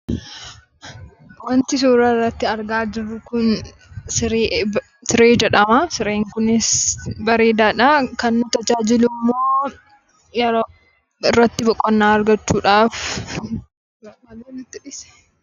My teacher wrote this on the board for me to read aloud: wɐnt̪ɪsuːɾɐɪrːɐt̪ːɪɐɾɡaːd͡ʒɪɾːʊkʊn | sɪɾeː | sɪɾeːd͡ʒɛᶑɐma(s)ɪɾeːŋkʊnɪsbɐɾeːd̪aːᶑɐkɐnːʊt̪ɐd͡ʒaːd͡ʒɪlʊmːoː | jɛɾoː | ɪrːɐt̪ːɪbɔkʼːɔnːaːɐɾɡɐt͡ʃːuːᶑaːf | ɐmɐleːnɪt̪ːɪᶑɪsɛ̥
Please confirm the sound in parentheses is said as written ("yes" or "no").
yes